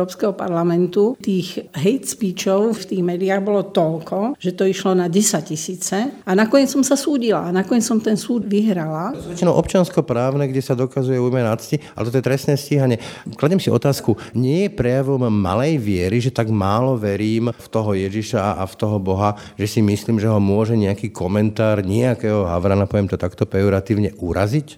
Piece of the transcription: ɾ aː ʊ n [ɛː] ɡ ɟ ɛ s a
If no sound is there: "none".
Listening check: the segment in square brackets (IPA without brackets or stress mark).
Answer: ɛ